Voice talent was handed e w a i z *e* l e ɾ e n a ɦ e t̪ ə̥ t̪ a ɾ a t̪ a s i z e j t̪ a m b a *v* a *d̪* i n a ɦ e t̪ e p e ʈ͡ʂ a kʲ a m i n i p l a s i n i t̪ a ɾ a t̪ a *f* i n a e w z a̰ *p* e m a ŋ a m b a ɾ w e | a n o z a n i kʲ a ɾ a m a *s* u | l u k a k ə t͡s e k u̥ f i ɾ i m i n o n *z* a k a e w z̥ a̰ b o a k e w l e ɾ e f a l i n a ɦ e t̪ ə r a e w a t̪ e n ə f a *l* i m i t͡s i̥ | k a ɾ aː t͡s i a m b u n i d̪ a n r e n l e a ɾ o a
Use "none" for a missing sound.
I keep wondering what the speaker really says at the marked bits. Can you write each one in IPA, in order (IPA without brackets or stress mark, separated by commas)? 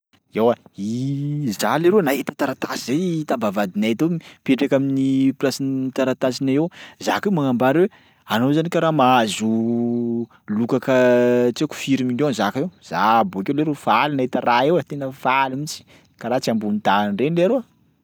a, v, d̪, s, k, z, z, l